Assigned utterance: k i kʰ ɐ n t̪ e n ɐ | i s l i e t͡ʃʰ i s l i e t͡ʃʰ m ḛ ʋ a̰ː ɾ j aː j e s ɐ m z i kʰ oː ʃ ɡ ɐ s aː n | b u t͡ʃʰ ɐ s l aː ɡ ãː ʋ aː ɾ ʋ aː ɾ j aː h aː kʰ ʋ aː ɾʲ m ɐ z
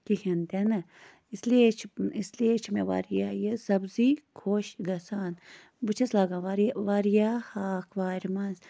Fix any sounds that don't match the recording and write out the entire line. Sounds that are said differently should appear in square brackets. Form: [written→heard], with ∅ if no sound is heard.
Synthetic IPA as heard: k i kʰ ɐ n t̪ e n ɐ | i s l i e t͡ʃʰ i s l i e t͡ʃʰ m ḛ ʋ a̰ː ɾ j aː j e s ɐ [m→b] z i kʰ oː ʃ ɡ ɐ s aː n | b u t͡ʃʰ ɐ s l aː ɡ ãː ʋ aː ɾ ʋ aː ɾ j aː h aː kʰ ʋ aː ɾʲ m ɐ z

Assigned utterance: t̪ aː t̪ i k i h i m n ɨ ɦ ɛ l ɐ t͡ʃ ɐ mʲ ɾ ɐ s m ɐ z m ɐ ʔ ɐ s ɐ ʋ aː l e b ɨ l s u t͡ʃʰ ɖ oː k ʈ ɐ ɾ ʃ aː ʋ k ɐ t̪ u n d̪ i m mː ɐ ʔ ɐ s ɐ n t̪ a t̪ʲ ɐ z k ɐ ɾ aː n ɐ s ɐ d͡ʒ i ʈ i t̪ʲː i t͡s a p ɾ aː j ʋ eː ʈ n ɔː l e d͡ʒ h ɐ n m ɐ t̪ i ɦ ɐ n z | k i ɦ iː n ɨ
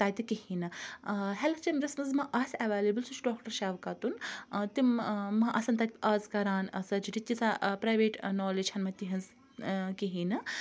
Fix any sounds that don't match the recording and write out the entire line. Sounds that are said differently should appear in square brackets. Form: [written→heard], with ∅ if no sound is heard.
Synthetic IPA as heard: t̪ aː t̪ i k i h i [m→∅] n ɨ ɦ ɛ l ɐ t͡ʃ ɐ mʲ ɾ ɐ s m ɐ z m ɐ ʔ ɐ s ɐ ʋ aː l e b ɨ l s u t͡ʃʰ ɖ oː k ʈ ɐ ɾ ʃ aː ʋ k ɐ t̪ u n [d̪→t̪] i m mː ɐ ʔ ɐ s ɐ n t̪ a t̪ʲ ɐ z k ɐ ɾ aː n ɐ s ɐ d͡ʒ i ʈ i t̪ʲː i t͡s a p ɾ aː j ʋ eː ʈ n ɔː l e d͡ʒ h ɐ n m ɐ t̪ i ɦ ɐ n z | k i ɦ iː n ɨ

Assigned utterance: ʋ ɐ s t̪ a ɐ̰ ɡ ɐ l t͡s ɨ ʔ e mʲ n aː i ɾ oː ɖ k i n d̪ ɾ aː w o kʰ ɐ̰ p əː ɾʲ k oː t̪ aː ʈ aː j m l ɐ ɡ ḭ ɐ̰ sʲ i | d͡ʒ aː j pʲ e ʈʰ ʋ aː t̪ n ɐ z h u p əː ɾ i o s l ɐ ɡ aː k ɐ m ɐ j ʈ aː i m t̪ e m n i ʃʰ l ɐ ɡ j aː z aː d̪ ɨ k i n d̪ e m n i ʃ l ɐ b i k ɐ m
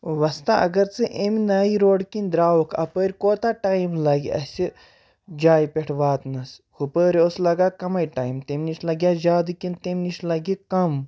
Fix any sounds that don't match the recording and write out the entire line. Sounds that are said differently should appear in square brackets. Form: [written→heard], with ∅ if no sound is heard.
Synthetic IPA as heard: ʋ ɐ s t̪ a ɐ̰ ɡ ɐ [l→ɾ] t͡s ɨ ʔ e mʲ n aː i ɾ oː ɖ k i n d̪ ɾ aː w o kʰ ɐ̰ p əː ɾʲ k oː t̪ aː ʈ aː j m l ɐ ɡ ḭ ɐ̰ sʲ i | d͡ʒ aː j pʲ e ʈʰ ʋ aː t̪ n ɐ [z→s] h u p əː ɾ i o s l ɐ ɡ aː k ɐ m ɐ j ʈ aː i m t̪ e m n i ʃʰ l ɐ ɡ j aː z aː d̪ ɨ k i n [d̪→t̪] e m n i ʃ l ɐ [b→ɡ] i k ɐ m

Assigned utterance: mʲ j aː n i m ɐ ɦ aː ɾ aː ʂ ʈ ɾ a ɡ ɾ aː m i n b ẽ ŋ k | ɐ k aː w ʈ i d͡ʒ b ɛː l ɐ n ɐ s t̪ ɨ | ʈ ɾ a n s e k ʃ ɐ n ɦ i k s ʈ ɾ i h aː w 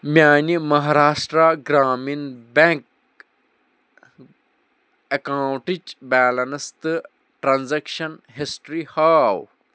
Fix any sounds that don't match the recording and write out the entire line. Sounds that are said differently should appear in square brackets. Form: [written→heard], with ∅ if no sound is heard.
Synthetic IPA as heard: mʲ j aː n i m ɐ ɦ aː ɾ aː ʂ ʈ ɾ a ɡ ɾ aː m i n b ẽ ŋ k | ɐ k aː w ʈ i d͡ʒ b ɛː l ɐ n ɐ s t̪ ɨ | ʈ ɾ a n [s→z] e k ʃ ɐ n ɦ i [k→∅] s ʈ ɾ i h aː w

